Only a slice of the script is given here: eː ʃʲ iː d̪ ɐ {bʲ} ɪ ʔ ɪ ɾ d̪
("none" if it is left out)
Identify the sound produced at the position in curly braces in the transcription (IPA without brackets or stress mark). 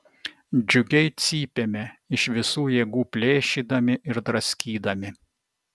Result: mʲ